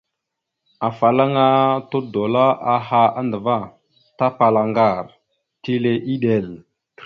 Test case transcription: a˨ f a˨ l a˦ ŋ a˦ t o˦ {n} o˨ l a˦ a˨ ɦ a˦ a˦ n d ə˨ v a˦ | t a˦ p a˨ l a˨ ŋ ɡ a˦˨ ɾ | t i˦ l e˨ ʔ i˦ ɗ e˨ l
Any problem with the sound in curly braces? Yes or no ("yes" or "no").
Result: yes